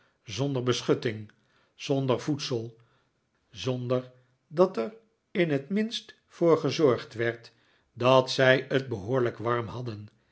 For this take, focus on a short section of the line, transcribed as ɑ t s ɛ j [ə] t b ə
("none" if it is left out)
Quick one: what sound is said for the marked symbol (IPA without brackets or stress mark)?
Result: ə